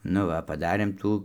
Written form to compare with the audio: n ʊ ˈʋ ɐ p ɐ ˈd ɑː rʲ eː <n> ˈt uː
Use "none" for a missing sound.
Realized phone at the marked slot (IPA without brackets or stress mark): m